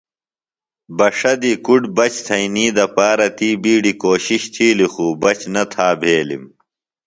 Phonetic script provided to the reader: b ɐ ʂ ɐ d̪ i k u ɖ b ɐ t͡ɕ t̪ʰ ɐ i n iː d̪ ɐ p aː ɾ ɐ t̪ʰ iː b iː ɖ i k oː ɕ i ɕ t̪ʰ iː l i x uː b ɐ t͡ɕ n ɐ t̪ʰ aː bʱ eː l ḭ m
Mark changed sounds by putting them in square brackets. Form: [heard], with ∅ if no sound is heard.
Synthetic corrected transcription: b ɐ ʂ ɐ d̪ i k u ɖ b ɐ t͡ɕ t̪ʰ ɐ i n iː d̪ ɐ p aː ɾ ɐ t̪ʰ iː b iː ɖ i k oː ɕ i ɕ t̪ʰ iː l i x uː b ɐ t͡ɕ n ɐ t̪ʰ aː bʱ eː l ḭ m